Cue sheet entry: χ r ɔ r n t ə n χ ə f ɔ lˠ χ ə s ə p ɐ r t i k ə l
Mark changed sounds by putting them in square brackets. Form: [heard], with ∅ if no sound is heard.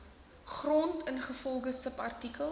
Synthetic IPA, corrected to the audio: χ r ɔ [∅] n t ə n χ ə f ɔ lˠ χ ə s ə p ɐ r t i k ə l